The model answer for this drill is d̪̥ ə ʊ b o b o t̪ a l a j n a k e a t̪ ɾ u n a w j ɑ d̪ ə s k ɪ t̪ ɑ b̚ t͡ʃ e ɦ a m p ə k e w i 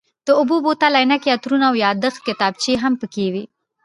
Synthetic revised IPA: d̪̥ ə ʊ b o b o t̪ a l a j n a k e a t̪ ɾ u n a w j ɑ d̪ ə x k ɪ t̪ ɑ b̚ t͡ʃ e ɦ a m p ə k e w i